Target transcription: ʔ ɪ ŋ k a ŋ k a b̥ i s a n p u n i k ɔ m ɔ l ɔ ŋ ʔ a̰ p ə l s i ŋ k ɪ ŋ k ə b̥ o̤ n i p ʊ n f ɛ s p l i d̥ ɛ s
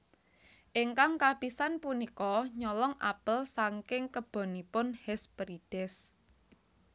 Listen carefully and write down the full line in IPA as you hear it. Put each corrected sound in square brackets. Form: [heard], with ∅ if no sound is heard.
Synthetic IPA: ʔ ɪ ŋ k a ŋ k a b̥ i s a n p u n i k ɔ [ɲ] ɔ l ɔ ŋ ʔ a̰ p ə l s [a] ŋ k ɪ ŋ k ə b̥ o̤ n i p ʊ n [h] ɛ s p [ɾ] i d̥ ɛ s

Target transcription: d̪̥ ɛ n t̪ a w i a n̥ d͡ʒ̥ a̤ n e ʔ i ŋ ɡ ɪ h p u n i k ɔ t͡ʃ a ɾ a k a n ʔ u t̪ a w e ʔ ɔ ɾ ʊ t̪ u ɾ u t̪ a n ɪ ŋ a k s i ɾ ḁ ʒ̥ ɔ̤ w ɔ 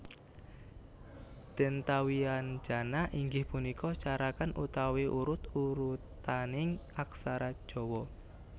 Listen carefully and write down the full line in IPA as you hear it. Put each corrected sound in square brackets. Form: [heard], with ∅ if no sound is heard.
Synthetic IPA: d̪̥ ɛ n t̪ a w i a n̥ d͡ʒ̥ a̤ n [a] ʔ i ŋ ɡ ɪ h p u n i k ɔ t͡ʃ a ɾ a k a n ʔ u t̪ a w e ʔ [u] ɾ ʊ t̪ u ɾ u t̪ a n ɪ ŋ a k s [a] ɾ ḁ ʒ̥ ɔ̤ w ɔ

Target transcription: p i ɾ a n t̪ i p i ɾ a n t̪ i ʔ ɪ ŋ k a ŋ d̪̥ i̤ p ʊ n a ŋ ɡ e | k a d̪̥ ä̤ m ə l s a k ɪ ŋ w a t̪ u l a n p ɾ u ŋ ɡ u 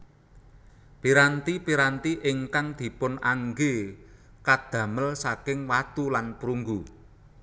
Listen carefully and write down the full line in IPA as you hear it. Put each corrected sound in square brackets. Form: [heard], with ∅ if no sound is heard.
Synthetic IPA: p i ɾ a n t̪ i p i ɾ a n t̪ i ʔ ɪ ŋ k a ŋ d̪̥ i̤ p ʊ n a ŋ ɡ e | k a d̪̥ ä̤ m ə l s a k ɪ ŋ w a t̪ u l a n p ɾ u ŋ ɡ u

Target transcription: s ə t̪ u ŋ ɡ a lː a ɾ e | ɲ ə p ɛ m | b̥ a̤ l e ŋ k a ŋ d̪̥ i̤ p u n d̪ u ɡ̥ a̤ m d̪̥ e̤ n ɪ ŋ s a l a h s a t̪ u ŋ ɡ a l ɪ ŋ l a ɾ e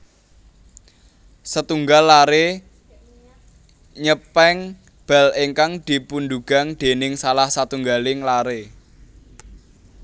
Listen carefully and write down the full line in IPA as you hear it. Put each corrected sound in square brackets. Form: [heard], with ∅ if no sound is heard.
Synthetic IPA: s ə t̪ u ŋ ɡ a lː a ɾ e | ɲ ə p ɛ [ŋ] | b̥ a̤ l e ŋ k a ŋ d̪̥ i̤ p u n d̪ u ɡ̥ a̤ [ŋ] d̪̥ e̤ n ɪ ŋ s a l a h s a t̪ u ŋ ɡ a l ɪ ŋ l a ɾ e

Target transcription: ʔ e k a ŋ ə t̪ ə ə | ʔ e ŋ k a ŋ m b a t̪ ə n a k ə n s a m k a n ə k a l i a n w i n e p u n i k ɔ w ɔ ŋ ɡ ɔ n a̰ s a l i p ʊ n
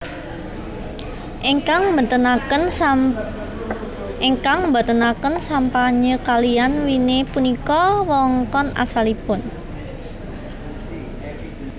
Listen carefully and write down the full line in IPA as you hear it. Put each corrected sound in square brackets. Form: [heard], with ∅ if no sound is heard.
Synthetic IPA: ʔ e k a ŋ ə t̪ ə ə | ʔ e ŋ k a ŋ m b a t̪ ə n a k ə n s a m [p] a [ɲ] ə k a l i a n w i n e p u n i k ɔ w ɔ ŋ [k] ɔ n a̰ s a l i p ʊ n

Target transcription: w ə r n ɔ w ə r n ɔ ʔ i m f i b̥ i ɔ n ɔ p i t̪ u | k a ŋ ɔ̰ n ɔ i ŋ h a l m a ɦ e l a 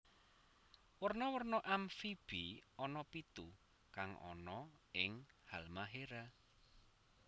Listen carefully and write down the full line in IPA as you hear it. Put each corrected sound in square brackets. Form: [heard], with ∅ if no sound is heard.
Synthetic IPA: w ə r n ɔ w ə r n ɔ ʔ [a] m f i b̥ i ɔ n ɔ p i t̪ u | k a ŋ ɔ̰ n ɔ [ɪ] ŋ h a l m a ɦ e [ɾ] a

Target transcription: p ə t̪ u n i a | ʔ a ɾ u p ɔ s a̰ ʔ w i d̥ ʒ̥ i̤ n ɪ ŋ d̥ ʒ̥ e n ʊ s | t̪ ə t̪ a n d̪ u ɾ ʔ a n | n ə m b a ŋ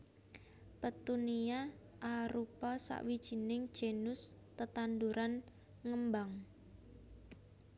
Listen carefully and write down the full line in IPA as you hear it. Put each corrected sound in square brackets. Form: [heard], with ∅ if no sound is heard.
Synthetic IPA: p ə t̪ u n i a | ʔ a ɾ u p ɔ s a̰ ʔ w i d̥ ʒ̥ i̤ n ɪ ŋ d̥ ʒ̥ e n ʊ s | t̪ ə t̪ a n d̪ u ɾ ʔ a n | [ŋ] ə m b a ŋ

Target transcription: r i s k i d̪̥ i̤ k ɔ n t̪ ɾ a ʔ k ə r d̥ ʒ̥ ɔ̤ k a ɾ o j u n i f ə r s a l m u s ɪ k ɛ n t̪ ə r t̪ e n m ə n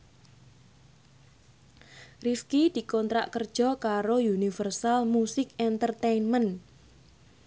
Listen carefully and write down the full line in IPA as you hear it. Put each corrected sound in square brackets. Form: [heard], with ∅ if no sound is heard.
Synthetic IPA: r i [f] k i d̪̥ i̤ k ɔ n t̪ ɾ a ʔ k ə r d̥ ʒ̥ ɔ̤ k a ɾ o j u n i f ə r s a l m u s ɪ k ɛ n t̪ ə r t̪ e n m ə n

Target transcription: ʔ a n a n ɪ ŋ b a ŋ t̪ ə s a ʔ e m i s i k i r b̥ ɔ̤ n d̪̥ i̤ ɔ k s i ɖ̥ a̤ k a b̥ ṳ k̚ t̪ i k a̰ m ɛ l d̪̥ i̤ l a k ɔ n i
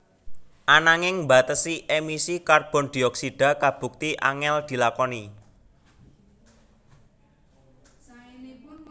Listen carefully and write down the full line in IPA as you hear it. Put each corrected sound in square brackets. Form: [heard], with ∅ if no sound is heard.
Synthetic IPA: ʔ a n a [ŋ] ɪ ŋ b a [∅] t̪ ə s [i] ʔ e m i s i k [a] r b̥ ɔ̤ n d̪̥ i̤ ɔ k s i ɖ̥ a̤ k a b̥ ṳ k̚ t̪ i [ʔ] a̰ [ŋ] ɛ l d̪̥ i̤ l a k ɔ n i

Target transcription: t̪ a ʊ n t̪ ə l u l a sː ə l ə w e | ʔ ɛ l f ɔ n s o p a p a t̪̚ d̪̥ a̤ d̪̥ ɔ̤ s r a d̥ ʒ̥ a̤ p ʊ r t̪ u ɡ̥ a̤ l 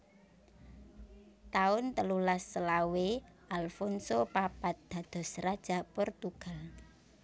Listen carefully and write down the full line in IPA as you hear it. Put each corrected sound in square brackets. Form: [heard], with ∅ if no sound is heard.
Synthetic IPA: t̪ a ʊ n t̪ ə l u l a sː ə l [a] w e | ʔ [a] l f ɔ n s o p a p a t̪̚ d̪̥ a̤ d̪̥ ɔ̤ s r a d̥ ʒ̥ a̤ p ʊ r t̪ u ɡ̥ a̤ l

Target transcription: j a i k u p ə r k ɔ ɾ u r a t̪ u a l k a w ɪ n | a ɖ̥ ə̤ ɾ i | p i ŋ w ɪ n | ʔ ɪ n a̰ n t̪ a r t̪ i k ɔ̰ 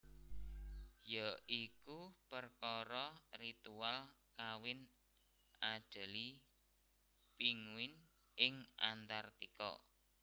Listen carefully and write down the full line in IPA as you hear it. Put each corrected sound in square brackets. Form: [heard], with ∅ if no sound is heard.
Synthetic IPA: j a i k u p ə r k ɔ ɾ [ɔ] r [i] t̪ u a l k a w ɪ n | a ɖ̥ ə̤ [l] i | p i ŋ w ɪ n | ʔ ɪ [ŋ] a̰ n t̪ a r t̪ i k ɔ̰

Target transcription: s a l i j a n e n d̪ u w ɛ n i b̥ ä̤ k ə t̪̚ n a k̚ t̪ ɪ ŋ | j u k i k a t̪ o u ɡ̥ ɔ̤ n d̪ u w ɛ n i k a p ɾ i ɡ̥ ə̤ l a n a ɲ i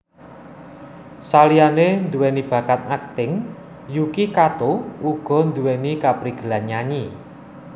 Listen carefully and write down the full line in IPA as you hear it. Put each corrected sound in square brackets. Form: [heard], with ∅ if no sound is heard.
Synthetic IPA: s a l i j a n e n d̪ u w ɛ n i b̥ ä̤ k [a] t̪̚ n a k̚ t̪ ɪ ŋ | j u k i k a t̪ o u ɡ̥ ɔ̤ n d̪ u w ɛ n i k a p ɾ i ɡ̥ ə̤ l a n a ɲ i

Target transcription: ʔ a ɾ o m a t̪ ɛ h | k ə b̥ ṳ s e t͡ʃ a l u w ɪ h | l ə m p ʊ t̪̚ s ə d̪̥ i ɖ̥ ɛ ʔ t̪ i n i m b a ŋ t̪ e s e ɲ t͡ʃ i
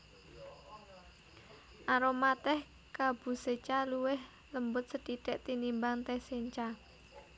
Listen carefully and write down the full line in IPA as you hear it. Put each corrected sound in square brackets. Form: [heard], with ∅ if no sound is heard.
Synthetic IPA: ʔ a ɾ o m a t̪ ɛ h | k [a] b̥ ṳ s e t͡ʃ a l u w ɪ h | l ə m [b] ʊ t̪̚ s ə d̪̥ i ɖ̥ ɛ ʔ t̪ i n i m b a ŋ t̪ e s e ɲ t͡ʃ [a]

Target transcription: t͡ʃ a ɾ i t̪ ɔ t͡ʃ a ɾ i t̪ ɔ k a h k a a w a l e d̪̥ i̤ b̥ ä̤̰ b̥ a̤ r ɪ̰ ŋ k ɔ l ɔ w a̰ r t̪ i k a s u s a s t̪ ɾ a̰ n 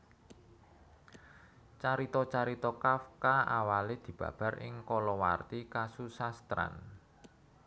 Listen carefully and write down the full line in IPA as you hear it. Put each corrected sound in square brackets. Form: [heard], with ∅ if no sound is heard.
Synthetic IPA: t͡ʃ a ɾ i t̪ ɔ t͡ʃ a ɾ i t̪ ɔ k a [f] k a a w a l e d̪̥ i̤ b̥ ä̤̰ b̥ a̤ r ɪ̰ ŋ k ɔ l ɔ w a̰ r t̪ i k a s u s a s t̪ ɾ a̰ n

